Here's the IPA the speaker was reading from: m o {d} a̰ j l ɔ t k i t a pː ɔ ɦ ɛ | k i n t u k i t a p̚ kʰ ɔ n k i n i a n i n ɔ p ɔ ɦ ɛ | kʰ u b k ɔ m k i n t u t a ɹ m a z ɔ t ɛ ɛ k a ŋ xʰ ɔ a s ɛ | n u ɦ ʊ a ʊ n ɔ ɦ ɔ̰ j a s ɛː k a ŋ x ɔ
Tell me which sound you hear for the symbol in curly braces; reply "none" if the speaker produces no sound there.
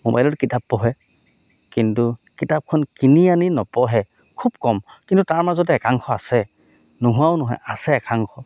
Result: b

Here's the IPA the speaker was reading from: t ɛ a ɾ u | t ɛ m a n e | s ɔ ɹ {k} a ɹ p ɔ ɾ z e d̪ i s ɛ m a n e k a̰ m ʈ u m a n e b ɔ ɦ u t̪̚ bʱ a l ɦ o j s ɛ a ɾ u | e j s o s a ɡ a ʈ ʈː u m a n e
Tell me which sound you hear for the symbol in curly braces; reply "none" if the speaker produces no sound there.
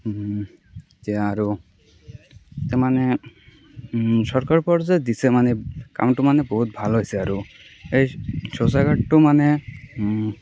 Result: k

